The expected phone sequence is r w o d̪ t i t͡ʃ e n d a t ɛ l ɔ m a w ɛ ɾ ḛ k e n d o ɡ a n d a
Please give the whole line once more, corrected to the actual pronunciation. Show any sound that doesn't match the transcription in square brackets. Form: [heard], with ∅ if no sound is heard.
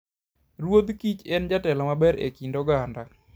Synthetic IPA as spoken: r w o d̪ [k] i t͡ʃ [ɛ] n [d͡ʒ] a t ɛ l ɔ m a [b] ɛ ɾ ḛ k [i] n d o ɡ a n d a